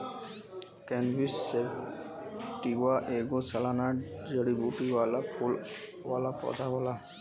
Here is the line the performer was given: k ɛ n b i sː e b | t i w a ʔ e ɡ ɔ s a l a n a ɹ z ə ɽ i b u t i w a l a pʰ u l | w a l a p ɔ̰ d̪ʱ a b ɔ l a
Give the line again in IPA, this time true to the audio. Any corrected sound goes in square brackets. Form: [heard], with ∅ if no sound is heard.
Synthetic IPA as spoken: k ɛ n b i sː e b | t i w a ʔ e ɡ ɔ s a l a n a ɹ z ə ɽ i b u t i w a l a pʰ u l | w a l a p ɔ̰ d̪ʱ a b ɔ l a